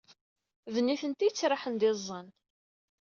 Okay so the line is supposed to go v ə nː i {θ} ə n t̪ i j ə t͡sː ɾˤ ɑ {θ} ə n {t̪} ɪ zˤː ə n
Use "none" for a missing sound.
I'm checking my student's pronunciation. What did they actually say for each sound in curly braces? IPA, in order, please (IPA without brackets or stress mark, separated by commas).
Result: θ, ħ, d̪